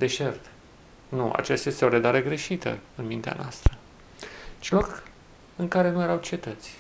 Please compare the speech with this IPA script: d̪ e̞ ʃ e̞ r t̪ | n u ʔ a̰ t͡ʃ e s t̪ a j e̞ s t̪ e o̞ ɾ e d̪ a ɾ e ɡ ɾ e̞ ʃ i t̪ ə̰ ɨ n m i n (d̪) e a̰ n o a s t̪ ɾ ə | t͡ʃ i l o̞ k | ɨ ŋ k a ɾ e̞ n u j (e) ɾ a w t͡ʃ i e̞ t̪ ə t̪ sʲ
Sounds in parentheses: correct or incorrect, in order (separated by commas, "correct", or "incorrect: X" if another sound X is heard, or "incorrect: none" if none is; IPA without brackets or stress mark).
incorrect: t̪, correct